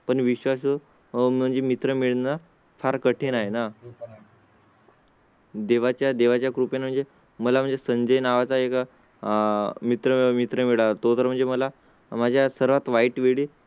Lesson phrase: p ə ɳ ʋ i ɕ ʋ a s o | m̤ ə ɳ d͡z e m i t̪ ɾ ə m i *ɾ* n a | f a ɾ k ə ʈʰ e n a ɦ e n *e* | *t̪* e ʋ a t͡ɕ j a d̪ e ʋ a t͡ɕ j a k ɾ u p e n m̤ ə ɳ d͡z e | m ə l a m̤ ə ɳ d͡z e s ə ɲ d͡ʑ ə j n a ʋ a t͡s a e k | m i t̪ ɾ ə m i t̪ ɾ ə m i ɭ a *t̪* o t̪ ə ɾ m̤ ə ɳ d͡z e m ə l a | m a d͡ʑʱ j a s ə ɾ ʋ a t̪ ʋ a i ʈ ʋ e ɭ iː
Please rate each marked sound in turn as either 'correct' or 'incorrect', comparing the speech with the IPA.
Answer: incorrect, incorrect, incorrect, correct

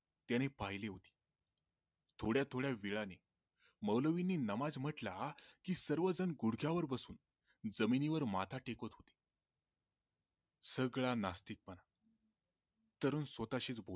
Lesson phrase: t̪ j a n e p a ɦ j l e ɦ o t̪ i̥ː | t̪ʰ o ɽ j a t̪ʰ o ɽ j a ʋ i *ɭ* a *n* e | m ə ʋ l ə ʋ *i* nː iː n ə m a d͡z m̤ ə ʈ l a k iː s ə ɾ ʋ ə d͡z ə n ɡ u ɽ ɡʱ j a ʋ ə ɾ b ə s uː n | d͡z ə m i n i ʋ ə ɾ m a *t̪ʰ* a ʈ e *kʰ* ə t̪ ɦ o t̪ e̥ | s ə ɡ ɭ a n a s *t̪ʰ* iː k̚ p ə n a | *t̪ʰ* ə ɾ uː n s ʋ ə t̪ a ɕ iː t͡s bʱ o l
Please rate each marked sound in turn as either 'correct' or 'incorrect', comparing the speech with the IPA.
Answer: correct, correct, correct, correct, incorrect, incorrect, incorrect

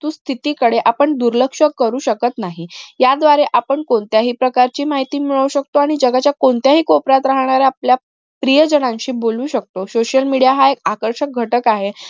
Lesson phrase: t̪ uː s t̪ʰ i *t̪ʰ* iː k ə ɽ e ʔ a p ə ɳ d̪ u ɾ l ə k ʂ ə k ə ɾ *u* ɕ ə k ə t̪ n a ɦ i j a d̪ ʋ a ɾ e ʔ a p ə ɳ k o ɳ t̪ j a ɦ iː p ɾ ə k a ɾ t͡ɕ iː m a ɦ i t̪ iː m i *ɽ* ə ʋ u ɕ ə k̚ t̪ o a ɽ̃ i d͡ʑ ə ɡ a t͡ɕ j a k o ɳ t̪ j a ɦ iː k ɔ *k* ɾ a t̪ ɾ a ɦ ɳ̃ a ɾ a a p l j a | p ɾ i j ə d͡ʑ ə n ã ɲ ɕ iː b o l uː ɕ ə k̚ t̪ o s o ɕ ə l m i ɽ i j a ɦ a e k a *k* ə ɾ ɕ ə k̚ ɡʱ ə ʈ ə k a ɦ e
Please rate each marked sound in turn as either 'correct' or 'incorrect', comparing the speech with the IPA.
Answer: incorrect, incorrect, incorrect, incorrect, correct

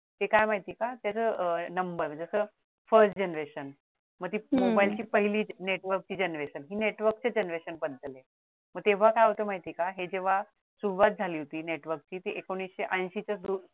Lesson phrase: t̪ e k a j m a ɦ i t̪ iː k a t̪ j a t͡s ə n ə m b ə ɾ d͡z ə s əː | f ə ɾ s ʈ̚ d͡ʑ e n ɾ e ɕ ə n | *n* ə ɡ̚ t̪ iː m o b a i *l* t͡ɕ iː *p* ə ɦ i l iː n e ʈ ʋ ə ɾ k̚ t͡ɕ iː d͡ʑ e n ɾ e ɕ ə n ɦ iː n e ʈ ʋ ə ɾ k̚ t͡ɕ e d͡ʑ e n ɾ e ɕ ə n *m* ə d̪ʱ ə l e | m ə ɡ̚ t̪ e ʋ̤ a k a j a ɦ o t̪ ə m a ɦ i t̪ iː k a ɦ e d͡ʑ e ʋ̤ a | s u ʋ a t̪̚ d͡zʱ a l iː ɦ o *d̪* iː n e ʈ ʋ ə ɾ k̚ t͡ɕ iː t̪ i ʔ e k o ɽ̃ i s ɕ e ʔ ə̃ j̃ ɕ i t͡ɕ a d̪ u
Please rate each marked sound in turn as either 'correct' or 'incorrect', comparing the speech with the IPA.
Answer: incorrect, correct, correct, incorrect, incorrect

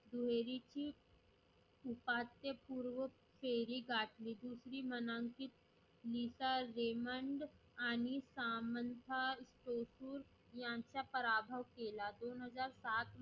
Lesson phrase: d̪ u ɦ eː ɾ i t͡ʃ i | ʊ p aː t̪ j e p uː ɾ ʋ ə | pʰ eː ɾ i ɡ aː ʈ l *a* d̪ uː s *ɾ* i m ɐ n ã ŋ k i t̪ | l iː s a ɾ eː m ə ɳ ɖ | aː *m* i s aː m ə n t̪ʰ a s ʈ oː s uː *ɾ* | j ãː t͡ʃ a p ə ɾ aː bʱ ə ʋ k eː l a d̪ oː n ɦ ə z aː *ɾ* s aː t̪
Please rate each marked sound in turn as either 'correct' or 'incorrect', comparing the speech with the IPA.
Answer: incorrect, correct, incorrect, correct, correct

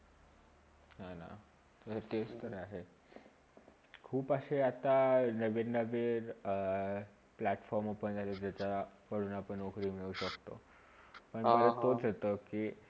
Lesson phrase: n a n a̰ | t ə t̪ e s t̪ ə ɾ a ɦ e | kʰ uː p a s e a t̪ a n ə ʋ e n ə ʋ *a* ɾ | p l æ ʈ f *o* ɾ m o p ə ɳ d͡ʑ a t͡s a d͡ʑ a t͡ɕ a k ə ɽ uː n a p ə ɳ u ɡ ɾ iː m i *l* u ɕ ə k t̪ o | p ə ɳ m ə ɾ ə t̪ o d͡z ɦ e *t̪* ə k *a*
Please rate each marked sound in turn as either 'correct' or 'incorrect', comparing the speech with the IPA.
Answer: incorrect, incorrect, incorrect, correct, incorrect

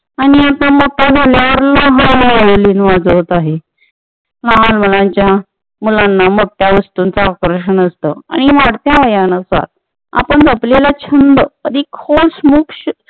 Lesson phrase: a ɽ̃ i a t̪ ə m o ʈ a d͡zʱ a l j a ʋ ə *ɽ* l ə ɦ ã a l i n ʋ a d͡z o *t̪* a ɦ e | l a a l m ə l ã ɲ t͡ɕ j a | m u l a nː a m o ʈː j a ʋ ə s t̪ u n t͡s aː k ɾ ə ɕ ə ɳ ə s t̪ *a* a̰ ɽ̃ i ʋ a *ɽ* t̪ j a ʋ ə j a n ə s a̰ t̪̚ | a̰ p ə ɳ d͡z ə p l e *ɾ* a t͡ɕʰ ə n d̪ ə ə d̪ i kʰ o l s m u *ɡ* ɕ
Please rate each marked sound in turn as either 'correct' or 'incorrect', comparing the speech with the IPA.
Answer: incorrect, correct, incorrect, correct, incorrect, incorrect

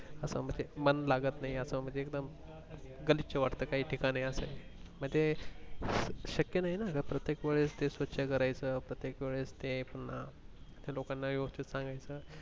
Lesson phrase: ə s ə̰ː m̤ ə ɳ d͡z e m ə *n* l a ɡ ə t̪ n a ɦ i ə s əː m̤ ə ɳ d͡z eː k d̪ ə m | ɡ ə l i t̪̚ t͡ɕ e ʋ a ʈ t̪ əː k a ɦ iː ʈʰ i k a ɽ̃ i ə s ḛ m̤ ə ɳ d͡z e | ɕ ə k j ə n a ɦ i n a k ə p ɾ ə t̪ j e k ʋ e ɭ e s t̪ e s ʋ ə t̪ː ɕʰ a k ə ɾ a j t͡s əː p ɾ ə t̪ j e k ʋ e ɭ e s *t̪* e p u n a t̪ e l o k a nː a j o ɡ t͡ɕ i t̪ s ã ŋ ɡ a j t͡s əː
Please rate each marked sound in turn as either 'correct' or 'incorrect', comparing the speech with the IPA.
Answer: correct, correct

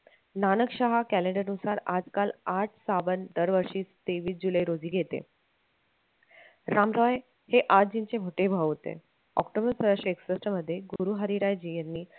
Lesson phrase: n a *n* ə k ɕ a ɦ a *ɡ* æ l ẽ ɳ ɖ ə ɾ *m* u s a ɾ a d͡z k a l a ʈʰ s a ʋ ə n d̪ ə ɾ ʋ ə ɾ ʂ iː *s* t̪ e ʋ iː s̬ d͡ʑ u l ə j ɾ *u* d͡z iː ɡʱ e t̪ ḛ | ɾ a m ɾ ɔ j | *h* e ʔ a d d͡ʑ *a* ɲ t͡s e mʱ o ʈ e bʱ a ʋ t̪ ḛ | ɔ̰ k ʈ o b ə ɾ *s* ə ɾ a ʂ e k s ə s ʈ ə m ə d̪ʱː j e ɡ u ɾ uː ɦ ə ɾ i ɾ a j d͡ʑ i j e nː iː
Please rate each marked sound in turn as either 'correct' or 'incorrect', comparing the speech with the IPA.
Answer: correct, incorrect, incorrect, correct, incorrect, correct, incorrect, correct

